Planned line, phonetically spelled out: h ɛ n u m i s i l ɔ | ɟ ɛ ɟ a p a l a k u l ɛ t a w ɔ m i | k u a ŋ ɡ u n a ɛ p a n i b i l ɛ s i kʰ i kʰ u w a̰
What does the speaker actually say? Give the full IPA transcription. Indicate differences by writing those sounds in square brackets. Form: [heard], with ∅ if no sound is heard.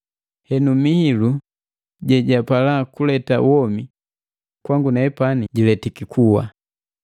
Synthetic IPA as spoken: h ɛ n u m i [h] i l [u] | ɟ ɛ ɟ a p a l a k u l ɛ t a w ɔ m i | k [w] a ŋ ɡ u n a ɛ p a n i [ɟ] i l ɛ [t] i [k] i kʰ u w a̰